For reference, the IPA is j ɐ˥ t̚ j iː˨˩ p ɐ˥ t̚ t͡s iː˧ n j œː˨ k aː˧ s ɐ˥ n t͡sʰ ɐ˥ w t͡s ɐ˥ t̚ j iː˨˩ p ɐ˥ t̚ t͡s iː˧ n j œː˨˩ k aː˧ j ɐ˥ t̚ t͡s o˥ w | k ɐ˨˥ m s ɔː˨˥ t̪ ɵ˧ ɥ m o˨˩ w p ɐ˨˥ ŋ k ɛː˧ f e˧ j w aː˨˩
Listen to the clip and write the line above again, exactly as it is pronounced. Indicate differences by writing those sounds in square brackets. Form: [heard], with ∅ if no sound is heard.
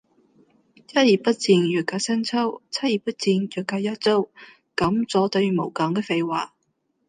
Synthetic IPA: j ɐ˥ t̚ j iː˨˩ p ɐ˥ t̚ t͡s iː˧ n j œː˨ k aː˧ s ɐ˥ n t͡sʰ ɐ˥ w [t͡sʰ] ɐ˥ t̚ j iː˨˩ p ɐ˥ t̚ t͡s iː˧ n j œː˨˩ k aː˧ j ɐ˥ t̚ t͡s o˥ w | k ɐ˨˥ m [t͡s] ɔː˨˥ t̪ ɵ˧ ɥ m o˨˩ w [k] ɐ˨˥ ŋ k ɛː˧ f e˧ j w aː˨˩